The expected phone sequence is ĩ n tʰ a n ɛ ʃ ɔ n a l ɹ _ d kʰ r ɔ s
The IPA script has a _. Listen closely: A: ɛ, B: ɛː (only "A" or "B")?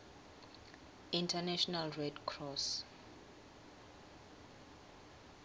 A